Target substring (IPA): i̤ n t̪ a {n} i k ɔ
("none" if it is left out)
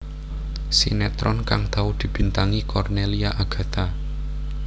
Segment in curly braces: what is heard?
ŋ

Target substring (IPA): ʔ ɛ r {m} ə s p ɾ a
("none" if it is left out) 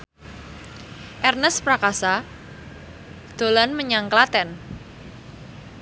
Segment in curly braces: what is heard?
n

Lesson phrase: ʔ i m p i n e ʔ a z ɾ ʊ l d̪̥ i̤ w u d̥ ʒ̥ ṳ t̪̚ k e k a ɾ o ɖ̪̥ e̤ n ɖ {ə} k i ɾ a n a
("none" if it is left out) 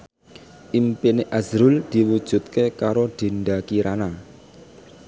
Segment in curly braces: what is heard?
a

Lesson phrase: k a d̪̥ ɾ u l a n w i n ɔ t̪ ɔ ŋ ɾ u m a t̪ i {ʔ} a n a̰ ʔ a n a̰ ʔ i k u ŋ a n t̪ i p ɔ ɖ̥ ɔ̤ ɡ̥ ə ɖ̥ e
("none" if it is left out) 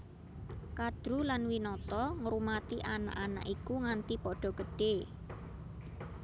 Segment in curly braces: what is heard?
ʔ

